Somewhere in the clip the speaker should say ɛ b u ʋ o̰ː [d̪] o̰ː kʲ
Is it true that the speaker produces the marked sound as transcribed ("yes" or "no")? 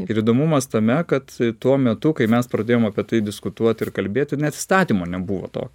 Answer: no